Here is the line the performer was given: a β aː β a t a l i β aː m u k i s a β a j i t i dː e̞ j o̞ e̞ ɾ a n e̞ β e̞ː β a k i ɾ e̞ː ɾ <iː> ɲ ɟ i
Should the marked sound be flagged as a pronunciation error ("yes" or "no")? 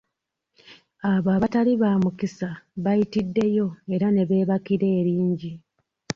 no